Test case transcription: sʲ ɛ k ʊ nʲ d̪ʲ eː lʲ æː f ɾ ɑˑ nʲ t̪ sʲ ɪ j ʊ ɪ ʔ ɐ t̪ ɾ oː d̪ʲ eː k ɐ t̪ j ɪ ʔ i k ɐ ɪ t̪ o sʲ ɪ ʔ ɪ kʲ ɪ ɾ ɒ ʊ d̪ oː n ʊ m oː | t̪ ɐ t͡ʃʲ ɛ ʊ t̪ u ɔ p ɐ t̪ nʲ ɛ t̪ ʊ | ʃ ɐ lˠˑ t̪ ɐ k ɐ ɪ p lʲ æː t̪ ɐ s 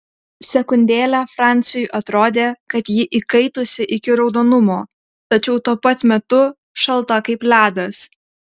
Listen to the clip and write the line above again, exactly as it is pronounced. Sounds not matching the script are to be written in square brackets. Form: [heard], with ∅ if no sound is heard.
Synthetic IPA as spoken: sʲ ɛ k ʊ nʲ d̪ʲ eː lʲ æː f ɾ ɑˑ nʲ t̪ sʲ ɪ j ʊ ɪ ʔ ɐ t̪ ɾ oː d̪ʲ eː k ɐ t̪ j ɪ ʔ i k ɐ ɪ t̪ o sʲ ɪ ʔ ɪ kʲ ɪ ɾ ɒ ʊ d̪ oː n ʊ m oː | t̪ ɐ t͡ʃʲ ɛ ʊ t̪ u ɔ p ɐ t̪ [mʲ] ɛ t̪ ʊ | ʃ ɐ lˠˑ t̪ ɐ k ɐ ɪ p lʲ æː [d̪] ɐ s